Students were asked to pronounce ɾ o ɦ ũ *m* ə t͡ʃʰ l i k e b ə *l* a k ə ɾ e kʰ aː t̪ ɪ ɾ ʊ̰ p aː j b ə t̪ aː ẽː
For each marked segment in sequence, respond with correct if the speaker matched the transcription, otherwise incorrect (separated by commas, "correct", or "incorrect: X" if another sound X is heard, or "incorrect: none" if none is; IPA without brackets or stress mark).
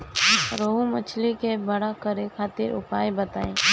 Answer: correct, incorrect: ɽ